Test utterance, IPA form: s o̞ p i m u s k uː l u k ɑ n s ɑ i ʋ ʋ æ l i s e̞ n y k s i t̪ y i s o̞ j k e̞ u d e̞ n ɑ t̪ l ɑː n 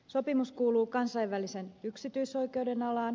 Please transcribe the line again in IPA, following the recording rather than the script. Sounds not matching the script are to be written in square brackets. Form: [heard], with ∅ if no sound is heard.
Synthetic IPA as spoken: s o̞ p i m u s k uː l [uː] k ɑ n s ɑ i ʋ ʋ æ l i s e̞ n y k s i t̪ y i s o̞ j k e̞ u d e̞ n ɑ [∅] l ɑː n